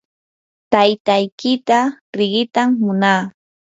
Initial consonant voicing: voiceless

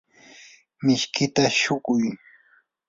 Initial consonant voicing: voiced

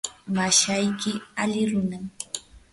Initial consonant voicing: voiced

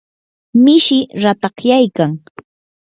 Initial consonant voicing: voiced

